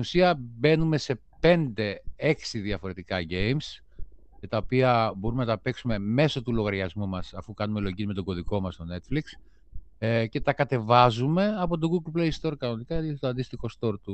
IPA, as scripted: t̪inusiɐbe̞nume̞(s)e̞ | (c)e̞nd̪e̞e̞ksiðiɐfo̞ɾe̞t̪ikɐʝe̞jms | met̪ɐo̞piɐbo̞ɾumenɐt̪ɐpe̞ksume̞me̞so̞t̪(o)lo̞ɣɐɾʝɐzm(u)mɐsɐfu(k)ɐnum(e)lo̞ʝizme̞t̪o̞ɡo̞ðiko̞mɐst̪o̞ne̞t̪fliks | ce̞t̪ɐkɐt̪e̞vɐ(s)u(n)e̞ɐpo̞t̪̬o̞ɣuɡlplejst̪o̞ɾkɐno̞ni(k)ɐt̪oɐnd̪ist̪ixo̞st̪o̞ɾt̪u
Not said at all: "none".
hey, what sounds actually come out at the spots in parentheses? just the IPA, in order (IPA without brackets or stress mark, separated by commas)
s, p, u, u, k, e, z, m, k